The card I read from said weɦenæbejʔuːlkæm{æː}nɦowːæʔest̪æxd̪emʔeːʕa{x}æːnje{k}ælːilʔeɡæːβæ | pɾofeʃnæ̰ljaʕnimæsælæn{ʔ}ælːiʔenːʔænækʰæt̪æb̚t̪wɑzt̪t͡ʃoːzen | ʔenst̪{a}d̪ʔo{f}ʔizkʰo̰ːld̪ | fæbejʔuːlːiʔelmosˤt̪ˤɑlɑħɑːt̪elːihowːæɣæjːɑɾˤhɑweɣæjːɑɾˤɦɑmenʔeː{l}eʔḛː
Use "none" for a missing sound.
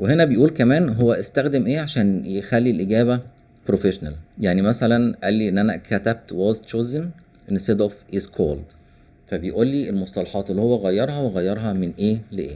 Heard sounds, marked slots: æː, ʃ, x, ʔ, e, f, l

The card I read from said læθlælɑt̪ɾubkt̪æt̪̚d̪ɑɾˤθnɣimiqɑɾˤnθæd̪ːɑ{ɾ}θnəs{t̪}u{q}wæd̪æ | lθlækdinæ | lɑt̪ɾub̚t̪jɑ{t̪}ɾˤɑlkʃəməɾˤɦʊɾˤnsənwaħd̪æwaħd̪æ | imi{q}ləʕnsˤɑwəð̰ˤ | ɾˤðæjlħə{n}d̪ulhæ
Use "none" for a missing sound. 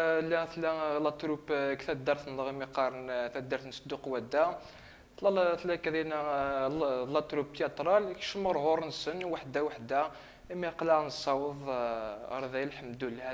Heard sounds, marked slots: ɾ, d̪, q, t̪, q, m

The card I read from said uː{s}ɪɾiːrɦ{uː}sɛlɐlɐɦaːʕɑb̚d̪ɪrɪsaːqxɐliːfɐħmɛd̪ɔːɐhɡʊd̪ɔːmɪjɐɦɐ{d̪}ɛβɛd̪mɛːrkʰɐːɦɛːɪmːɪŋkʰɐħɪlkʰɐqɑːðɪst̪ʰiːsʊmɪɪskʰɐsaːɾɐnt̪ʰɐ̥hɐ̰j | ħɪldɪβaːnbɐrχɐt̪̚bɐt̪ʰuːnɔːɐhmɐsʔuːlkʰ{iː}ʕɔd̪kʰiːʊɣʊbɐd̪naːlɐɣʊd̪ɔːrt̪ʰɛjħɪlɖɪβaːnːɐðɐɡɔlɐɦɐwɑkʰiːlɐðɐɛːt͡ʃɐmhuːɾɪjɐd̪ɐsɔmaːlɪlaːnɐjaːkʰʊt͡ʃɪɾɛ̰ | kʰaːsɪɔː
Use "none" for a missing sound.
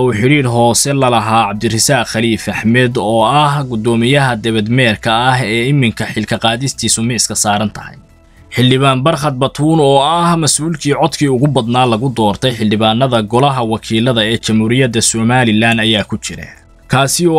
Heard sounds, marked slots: ħ, ɔː, d̪, iː

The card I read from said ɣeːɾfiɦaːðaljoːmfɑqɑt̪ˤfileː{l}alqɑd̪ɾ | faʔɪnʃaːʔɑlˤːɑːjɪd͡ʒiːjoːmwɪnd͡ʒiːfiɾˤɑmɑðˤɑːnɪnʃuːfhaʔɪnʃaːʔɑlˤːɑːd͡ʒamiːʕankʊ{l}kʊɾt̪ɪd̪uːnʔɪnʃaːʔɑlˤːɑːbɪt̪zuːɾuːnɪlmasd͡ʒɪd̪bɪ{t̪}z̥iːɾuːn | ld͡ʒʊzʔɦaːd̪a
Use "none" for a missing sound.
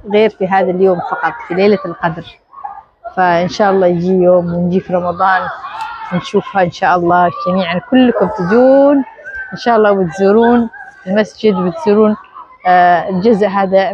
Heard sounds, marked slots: l, lː, t̪

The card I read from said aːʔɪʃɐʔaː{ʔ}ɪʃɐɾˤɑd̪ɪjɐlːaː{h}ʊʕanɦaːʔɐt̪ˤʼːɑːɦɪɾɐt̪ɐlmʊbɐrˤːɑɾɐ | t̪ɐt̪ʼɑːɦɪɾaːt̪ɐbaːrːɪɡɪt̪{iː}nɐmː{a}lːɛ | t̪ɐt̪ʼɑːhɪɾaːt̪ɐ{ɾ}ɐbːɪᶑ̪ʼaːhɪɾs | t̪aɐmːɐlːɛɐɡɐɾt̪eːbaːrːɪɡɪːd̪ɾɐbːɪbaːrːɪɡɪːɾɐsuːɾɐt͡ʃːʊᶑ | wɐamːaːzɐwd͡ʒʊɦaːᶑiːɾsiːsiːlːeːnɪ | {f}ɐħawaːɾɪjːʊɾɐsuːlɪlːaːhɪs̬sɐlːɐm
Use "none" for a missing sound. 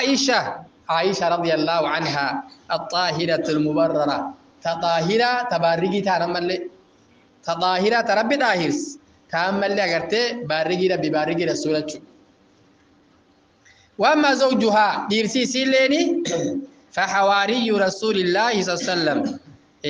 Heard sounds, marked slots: ʔ, h, aː, ɐ, ɾ, f

